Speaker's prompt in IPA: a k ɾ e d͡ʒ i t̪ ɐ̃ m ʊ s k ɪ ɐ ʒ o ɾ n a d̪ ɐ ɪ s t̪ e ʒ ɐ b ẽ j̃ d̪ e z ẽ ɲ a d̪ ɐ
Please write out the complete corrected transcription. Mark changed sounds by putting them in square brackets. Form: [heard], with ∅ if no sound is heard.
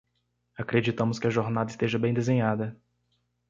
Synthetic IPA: a k ɾ e d͡ʒ i t̪ ɐ̃ m ʊ s k ɪ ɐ ʒ o ɾ n a d̪ ɐ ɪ s t̪ e ʒ ɐ b ẽ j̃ d̪ e z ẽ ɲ a d̪ ɐ

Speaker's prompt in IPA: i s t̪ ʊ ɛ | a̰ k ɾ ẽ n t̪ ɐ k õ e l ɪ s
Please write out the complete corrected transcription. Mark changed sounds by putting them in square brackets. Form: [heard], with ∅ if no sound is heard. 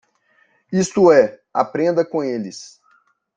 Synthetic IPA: i s t̪ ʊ ɛ | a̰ [p] ɾ ẽ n [d̪] ɐ k õ e l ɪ s

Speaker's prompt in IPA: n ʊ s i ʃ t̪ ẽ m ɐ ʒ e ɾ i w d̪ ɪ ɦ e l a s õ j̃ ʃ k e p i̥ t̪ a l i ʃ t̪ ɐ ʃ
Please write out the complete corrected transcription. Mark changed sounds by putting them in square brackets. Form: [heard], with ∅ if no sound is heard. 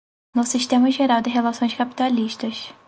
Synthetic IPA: n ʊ s i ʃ t̪ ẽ m ɐ ʒ e ɾ [a] w d̪ ɪ ɦ e l a s õ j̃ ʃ k [a] p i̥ t̪ a l i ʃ t̪ ɐ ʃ

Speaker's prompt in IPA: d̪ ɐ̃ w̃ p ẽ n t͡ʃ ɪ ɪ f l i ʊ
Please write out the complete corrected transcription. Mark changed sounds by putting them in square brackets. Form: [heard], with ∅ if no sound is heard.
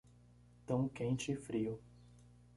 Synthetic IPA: [t̪] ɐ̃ w̃ [k] ẽ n t͡ʃ ɪ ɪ f [ɾ] i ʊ

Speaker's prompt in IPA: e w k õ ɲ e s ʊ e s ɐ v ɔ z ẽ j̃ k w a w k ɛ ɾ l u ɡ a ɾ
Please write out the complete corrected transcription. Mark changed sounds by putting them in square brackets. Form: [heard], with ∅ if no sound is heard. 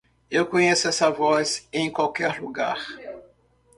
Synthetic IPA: e w k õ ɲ e s ʊ [ɛ] s ɐ v ɔ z ẽ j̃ k w a w k ɛ ɾ l u ɡ a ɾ

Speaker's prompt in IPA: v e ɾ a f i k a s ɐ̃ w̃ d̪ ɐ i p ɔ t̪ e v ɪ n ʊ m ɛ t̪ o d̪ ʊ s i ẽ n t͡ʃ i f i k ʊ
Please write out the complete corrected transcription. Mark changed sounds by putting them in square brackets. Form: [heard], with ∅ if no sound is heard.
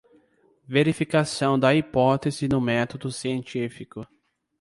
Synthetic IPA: v e ɾ [i] f i k a s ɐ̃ w̃ d̪ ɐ i p ɔ t̪ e [z] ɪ n ʊ m ɛ t̪ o d̪ ʊ s i ẽ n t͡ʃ i f i k ʊ

